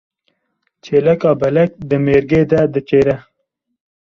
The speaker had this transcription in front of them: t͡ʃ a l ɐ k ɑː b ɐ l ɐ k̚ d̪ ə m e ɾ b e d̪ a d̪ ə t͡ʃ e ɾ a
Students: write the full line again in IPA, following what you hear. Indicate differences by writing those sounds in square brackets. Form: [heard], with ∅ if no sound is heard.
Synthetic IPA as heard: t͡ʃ [e] l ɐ k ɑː b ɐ l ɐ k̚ d̪ ə m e ɾ [ɡ] e d̪ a d̪ ə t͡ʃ e ɾ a